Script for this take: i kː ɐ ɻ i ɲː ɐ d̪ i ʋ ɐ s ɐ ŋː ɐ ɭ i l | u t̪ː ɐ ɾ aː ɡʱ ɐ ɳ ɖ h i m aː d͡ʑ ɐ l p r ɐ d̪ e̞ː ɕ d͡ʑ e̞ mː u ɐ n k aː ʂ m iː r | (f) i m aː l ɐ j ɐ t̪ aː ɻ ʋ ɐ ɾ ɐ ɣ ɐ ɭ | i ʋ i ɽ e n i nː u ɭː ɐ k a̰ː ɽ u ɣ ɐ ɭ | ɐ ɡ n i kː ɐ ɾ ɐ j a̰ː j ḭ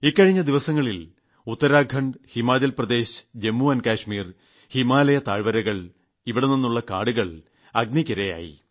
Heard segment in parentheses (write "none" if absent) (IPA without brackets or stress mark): h